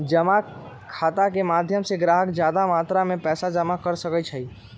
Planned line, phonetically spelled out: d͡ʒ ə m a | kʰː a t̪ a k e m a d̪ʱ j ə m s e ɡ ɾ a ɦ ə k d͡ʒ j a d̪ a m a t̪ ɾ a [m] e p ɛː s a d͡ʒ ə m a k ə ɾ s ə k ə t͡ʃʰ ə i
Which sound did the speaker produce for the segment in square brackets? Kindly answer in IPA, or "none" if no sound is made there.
m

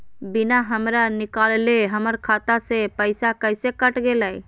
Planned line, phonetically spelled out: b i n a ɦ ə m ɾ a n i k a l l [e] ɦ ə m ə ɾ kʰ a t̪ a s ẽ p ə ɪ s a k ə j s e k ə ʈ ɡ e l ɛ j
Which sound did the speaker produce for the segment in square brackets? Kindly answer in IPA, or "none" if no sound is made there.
e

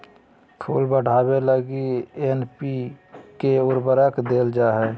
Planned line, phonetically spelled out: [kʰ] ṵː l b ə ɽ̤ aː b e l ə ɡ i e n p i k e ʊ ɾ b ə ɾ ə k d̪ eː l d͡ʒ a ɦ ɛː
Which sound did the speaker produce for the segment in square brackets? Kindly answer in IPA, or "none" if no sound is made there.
kʰ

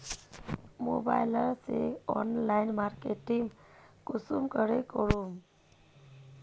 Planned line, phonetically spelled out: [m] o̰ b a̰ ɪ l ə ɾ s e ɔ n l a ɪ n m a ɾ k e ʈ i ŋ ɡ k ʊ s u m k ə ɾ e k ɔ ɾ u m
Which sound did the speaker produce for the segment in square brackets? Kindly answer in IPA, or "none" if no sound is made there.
m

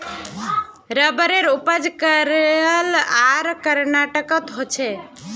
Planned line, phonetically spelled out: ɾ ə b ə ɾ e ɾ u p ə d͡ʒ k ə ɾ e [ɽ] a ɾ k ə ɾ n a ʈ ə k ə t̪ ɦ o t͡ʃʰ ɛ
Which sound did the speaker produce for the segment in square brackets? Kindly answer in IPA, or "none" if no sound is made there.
l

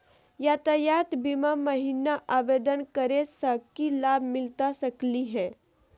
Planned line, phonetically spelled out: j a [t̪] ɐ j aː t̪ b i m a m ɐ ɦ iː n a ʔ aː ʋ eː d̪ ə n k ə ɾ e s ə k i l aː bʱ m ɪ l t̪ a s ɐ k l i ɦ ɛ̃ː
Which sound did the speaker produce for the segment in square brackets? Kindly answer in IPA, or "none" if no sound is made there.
t̪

